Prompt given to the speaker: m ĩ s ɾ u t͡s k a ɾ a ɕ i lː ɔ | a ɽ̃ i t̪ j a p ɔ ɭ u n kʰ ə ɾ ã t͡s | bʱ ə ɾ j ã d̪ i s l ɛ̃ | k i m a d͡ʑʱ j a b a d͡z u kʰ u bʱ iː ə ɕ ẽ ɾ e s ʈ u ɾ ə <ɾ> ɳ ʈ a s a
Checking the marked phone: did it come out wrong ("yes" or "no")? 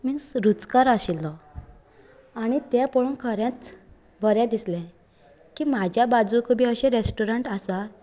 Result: yes